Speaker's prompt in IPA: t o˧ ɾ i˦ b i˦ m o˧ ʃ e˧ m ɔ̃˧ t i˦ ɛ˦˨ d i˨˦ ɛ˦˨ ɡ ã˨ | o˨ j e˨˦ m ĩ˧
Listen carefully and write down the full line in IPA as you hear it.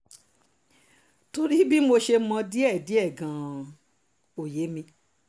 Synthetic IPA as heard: t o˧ ɾ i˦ b i˦ m o˧ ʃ e˧ m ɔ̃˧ d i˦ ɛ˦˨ d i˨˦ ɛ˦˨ ɡ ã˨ | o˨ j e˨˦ m ĩ˧